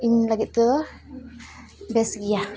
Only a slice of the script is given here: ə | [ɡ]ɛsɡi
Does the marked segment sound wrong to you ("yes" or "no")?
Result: yes